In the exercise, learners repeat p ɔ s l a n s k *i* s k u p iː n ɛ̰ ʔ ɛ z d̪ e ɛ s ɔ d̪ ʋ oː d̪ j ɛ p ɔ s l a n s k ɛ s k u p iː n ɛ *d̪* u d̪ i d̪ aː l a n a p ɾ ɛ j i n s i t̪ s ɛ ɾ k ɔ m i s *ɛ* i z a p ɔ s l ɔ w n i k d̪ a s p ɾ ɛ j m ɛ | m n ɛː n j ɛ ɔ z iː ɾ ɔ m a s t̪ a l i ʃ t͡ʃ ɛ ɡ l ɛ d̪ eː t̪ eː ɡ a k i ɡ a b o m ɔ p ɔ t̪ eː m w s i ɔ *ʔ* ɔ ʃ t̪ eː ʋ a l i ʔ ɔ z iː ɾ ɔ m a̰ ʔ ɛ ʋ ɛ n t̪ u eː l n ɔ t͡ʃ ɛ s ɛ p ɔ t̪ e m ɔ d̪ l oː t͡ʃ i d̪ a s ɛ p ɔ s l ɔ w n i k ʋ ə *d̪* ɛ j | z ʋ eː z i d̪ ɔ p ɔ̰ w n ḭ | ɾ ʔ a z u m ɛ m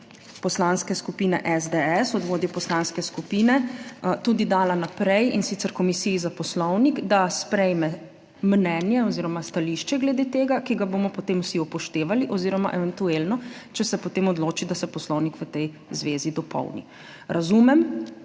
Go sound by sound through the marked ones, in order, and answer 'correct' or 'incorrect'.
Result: incorrect: ɛ, incorrect: t̪, incorrect: i, incorrect: p, incorrect: t̪

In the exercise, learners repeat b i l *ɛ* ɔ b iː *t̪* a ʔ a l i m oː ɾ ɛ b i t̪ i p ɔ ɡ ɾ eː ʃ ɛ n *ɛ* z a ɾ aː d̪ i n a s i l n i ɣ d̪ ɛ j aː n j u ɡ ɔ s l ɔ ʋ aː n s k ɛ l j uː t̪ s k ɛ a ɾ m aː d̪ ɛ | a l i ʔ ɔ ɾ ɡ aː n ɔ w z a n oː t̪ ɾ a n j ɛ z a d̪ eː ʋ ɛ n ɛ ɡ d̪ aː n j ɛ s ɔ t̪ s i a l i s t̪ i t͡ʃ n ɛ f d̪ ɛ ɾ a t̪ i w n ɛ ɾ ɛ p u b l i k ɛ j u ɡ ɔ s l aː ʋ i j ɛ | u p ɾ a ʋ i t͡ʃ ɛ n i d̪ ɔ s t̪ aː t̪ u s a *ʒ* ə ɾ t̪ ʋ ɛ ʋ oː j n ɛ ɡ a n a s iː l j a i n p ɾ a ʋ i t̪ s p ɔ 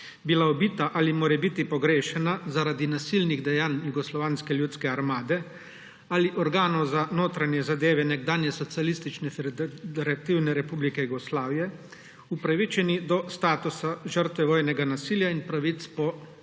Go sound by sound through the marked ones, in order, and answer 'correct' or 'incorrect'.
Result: incorrect: a, correct, incorrect: a, correct

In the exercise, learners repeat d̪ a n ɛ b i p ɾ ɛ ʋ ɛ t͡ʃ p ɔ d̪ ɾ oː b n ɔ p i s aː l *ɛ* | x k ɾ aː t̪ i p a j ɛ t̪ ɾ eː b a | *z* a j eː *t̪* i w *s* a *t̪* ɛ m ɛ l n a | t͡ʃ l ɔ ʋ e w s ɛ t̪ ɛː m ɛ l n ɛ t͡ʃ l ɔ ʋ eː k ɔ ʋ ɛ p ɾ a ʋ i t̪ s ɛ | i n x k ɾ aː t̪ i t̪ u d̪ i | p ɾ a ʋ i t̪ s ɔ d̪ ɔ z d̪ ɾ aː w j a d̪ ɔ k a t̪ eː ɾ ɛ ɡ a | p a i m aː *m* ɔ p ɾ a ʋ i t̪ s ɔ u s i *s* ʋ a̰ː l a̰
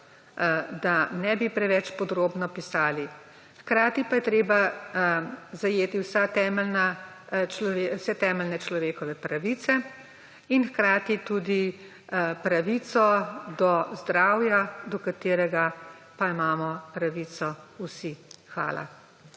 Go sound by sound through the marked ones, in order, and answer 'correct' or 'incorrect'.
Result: incorrect: i, correct, correct, correct, correct, correct, incorrect: x

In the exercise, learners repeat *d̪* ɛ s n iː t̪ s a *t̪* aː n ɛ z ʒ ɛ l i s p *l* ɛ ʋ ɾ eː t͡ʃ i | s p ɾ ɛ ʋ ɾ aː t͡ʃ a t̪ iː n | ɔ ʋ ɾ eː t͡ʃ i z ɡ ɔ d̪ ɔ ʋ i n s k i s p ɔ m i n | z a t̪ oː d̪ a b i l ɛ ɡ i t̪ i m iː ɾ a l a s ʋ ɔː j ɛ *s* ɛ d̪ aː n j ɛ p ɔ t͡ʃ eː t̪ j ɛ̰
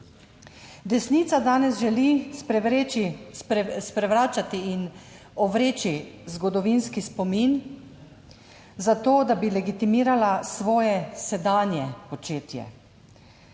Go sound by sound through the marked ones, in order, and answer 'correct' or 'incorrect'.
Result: correct, incorrect: d̪, incorrect: ɾ, correct

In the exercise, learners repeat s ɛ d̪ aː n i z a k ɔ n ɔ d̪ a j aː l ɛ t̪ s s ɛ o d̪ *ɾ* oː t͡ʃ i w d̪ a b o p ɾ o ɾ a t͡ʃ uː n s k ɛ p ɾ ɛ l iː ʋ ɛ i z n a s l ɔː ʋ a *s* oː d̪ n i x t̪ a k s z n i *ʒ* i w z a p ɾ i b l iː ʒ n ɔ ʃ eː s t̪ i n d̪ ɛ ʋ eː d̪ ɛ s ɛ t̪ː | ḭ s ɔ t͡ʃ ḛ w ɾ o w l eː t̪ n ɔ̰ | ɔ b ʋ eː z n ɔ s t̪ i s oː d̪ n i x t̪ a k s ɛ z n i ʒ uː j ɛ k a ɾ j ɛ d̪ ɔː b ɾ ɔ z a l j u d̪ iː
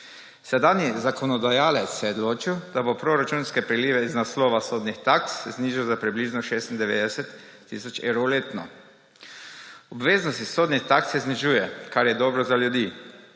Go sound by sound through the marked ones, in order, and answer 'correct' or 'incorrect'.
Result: incorrect: l, correct, correct

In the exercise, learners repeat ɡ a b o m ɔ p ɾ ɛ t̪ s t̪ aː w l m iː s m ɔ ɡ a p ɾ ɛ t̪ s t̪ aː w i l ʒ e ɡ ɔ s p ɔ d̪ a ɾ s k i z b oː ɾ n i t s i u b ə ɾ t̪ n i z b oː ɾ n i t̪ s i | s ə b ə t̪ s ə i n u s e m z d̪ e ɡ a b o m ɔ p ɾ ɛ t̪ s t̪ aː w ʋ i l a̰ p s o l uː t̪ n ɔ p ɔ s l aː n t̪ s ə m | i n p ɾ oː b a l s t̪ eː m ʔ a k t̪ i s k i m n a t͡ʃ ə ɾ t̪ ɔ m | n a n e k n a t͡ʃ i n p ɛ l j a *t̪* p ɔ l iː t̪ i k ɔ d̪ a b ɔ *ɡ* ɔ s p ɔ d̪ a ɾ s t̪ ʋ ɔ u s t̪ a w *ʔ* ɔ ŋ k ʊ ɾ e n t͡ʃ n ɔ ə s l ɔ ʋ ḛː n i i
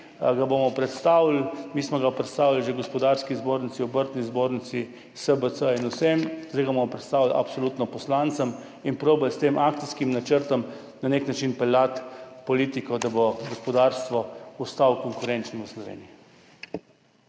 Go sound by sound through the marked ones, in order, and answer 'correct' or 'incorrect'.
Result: correct, correct, incorrect: k

